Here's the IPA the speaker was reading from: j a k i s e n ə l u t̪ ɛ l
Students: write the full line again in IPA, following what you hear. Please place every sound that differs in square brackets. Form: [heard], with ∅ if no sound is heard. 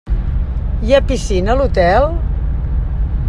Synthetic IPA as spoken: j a [p] i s [i] n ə l u t̪ ɛ l